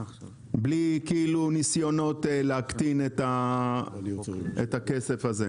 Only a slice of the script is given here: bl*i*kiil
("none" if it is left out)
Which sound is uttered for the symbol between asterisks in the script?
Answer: i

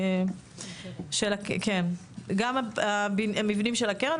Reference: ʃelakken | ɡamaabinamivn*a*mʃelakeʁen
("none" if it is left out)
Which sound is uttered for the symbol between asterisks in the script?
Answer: i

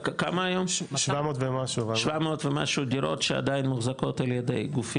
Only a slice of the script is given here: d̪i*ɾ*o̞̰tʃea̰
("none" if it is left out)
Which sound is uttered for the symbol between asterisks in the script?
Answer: ɾ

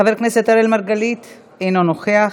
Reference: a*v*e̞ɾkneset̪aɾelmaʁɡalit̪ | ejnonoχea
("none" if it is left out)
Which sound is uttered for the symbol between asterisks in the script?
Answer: v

